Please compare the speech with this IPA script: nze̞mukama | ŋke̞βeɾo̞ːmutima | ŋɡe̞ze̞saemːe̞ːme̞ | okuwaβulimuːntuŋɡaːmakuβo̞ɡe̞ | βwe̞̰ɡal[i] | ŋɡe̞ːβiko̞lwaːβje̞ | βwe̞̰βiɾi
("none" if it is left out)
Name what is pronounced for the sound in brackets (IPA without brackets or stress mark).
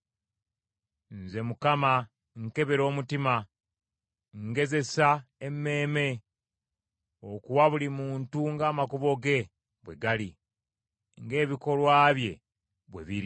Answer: i